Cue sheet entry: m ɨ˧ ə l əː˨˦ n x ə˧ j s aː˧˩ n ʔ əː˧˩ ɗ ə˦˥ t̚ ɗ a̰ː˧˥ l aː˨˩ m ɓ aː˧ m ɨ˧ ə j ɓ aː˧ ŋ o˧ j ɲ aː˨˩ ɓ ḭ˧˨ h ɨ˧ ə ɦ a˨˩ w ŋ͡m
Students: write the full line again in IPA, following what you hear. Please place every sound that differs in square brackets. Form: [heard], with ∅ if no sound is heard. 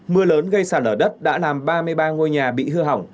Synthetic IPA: m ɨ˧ ə l əː˨˦ n [ɣ] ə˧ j s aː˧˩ n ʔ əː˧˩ ɗ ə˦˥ t̚ ɗ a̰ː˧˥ l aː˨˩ m ɓ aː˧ m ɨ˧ ə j ɓ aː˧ ŋ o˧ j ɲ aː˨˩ ɓ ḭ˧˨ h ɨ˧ ə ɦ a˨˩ w ŋ͡m

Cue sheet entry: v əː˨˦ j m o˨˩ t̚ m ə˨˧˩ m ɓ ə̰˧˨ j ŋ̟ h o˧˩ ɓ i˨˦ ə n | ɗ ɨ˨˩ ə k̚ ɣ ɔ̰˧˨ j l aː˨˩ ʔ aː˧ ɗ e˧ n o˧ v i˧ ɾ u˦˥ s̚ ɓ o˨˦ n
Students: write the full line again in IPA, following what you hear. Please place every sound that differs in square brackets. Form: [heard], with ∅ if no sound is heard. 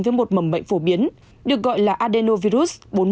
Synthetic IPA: v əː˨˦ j m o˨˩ t̚ m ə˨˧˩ m ɓ ə̰˧˨ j ŋ̟ [f] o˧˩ ɓ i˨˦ ə n | ɗ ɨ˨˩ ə k̚ ɣ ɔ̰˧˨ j l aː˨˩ ʔ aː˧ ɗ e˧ n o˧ v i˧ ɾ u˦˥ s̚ ɓ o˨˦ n

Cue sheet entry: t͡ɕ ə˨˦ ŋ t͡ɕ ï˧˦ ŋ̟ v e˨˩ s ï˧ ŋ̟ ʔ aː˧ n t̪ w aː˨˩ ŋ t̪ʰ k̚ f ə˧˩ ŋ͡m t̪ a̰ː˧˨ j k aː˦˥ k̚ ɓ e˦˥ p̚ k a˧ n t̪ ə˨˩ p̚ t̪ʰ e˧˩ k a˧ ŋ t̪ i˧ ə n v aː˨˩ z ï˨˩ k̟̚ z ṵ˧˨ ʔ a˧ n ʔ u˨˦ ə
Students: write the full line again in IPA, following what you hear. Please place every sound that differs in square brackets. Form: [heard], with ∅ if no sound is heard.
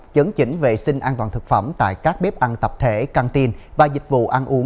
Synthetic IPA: t͡ɕ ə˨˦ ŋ t͡ɕ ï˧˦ ŋ̟ v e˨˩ s ï˧ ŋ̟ ʔ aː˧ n t̪ w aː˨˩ [n] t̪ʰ k̚ f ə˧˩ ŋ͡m t̪ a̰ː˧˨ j k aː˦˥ k̚ ɓ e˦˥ p̚ [ʔ] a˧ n t̪ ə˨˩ p̚ t̪ʰ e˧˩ k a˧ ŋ t̪ i˧ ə n v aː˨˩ z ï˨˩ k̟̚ [v] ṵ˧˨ ʔ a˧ n ʔ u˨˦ ə

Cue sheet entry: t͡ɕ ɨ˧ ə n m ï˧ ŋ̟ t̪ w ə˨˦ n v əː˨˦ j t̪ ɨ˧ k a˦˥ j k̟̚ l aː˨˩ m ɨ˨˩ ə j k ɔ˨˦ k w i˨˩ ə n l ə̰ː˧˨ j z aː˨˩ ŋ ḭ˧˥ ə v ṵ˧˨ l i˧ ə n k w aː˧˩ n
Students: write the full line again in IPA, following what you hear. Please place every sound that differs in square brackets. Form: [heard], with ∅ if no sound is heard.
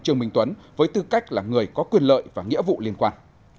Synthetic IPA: t͡ɕ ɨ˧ ə [ŋ] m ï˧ ŋ̟ t̪ w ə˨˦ n v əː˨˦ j t̪ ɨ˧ k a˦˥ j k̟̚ l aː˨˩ [ŋ] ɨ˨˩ ə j k ɔ˨˦ k w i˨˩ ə n l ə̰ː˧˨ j [v] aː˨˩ ŋ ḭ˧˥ ə v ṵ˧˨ l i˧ ə n k w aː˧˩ n

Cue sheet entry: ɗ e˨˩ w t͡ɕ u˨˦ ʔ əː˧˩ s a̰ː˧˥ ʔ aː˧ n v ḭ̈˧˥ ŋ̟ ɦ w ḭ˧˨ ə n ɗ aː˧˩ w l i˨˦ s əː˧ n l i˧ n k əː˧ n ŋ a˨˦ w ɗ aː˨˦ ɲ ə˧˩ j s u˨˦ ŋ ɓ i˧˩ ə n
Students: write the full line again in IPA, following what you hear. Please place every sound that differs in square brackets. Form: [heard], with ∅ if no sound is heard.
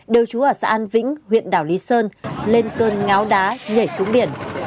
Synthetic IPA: ɗ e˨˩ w t͡ɕ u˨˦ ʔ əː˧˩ s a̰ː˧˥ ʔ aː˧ n v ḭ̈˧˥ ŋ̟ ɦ w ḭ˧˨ ə n ɗ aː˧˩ w l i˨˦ s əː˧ n l [e˧] n k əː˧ n ŋ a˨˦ w ɗ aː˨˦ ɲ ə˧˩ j s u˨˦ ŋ ɓ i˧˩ ə n

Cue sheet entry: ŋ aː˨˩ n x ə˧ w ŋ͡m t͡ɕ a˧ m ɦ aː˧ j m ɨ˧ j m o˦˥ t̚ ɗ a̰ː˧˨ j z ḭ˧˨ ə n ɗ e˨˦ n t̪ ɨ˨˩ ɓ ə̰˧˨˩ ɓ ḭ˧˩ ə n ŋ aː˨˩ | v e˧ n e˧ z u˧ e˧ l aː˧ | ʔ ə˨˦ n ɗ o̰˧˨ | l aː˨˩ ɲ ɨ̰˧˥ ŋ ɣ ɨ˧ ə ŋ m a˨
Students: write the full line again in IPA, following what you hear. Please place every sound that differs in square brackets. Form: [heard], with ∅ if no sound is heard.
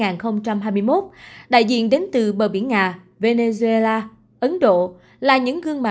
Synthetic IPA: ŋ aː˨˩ n x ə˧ w ŋ͡m t͡ɕ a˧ m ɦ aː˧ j m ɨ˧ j m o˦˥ t̚ ɗ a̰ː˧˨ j z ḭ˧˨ ə n ɗ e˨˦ n t̪ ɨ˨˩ ɓ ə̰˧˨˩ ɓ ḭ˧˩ ə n ŋ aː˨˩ | v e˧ n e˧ z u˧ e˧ l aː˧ | ʔ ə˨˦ n ɗ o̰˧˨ | l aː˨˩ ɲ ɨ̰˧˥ ŋ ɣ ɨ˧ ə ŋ m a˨

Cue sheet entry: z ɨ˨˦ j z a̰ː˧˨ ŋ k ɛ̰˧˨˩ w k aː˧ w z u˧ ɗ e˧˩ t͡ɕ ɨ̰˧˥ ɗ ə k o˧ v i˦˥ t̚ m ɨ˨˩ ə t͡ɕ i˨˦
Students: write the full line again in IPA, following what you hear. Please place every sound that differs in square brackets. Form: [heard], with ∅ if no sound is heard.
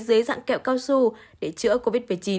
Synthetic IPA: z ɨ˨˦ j z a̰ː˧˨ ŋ k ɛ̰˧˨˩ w k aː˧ w [s] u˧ ɗ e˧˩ t͡ɕ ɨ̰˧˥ [∅] ə k o˧ v i˦˥ t̚ m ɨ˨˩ ə t͡ɕ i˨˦

